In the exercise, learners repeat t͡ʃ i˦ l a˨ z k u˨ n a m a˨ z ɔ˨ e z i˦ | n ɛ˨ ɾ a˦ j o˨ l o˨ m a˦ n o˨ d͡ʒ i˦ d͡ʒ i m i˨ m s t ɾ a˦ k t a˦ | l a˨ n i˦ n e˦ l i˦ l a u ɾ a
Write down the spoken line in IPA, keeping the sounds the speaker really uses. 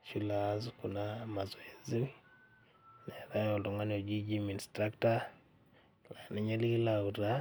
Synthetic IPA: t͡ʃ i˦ l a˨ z k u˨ n a m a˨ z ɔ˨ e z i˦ | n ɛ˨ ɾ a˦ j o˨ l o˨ ŋ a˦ n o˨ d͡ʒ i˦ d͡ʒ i m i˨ n s t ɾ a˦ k t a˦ | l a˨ n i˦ ɲ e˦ l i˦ l a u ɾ a